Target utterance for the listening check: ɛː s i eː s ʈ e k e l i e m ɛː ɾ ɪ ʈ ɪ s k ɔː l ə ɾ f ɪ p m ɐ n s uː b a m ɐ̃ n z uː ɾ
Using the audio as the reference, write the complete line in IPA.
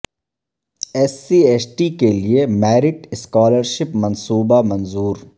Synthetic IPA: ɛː s i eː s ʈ i k e l i e m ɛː ɾ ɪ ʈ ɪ s k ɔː l ə ɾ ʃ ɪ p m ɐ n s uː b a m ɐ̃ n z uː ɾ